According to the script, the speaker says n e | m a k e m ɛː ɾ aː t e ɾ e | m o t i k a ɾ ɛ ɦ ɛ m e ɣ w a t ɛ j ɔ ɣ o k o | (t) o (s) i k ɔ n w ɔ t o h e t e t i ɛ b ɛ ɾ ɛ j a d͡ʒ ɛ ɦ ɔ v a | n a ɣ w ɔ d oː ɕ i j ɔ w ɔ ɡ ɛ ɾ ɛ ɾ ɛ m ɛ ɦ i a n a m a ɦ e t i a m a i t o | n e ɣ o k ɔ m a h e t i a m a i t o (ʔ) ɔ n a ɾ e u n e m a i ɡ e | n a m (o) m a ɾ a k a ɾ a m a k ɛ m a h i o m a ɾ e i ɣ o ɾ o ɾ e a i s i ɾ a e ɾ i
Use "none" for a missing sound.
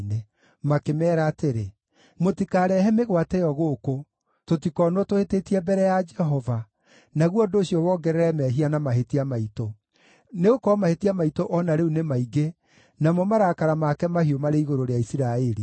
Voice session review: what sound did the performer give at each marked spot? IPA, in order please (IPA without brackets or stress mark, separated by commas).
t, t, ʔ, ɔ